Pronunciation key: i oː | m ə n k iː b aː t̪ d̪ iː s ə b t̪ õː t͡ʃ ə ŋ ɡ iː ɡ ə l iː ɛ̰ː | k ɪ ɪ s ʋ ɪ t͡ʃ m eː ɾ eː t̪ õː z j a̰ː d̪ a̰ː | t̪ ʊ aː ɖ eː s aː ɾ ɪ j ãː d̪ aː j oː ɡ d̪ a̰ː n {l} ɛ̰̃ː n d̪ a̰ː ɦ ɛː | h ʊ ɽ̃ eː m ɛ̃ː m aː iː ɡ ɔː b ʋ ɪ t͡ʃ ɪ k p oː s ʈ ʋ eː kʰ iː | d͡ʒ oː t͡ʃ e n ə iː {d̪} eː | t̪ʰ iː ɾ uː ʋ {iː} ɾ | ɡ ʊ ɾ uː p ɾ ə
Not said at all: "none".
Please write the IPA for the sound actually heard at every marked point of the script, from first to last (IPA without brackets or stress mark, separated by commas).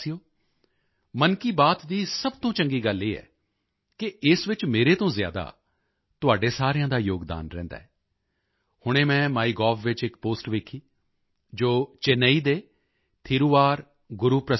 ɾ, d̪, aː